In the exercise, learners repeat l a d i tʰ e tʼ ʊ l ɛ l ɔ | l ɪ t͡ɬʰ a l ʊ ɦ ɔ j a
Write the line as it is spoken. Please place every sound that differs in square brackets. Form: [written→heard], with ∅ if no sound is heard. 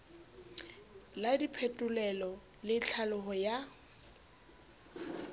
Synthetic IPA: l a d i [tʰ→pʰ] e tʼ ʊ l ɛ l ɔ | l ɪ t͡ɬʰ a l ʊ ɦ ɔ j a